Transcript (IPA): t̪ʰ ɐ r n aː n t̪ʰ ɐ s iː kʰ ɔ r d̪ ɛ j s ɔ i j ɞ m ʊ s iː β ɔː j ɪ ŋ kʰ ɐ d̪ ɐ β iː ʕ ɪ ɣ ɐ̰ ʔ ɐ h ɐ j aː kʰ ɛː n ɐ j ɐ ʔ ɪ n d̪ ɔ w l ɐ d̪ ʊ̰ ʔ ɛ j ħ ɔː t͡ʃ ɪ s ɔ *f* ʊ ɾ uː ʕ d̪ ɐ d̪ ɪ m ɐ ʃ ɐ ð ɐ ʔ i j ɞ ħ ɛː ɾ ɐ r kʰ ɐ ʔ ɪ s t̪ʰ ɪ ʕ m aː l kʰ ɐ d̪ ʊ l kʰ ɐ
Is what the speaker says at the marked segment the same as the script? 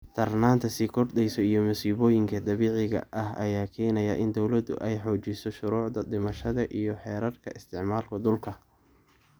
no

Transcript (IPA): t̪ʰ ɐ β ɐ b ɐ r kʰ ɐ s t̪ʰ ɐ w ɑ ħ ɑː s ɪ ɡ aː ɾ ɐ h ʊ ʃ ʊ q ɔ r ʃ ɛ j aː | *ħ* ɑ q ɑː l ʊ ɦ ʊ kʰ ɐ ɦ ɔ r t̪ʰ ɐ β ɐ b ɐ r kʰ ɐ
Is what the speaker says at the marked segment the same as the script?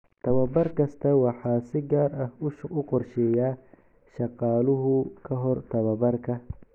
no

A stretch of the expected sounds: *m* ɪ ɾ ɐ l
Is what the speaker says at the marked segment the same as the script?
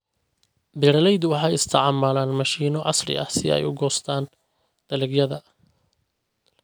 no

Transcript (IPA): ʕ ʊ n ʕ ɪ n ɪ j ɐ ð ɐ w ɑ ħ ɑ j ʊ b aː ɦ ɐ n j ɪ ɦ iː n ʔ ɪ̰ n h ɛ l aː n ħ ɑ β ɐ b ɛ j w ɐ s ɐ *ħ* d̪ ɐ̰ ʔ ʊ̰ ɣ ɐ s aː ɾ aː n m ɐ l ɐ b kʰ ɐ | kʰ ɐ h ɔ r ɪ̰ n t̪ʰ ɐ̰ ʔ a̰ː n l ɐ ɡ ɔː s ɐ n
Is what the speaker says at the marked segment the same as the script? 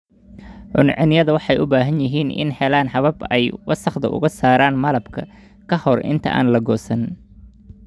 no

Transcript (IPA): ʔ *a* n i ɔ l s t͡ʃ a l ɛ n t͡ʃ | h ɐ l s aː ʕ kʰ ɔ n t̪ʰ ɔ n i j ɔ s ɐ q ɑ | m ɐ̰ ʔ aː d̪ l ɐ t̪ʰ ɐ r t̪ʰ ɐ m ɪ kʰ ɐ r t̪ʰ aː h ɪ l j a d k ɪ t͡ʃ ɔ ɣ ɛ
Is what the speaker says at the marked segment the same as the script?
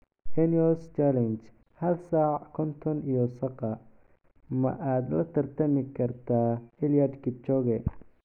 no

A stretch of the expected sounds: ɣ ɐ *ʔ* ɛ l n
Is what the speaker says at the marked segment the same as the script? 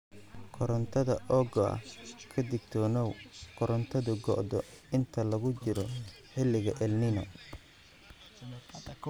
yes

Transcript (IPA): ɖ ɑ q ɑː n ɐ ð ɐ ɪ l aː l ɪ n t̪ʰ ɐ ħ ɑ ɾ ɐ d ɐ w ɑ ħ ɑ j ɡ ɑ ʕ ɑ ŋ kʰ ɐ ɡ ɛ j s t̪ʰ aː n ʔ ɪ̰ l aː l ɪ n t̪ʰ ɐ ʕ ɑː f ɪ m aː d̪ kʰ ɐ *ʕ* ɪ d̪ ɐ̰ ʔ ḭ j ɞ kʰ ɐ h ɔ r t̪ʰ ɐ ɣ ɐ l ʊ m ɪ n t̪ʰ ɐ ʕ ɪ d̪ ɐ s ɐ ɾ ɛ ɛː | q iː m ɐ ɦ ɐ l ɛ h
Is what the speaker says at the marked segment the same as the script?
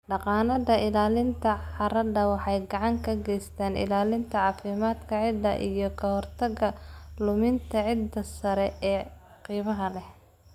yes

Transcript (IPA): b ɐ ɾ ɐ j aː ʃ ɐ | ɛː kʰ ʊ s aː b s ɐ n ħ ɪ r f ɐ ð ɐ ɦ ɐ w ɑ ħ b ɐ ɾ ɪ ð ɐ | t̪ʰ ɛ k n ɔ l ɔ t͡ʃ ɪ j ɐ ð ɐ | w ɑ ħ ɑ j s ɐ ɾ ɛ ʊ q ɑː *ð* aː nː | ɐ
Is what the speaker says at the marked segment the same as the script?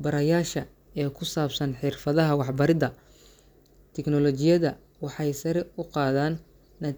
yes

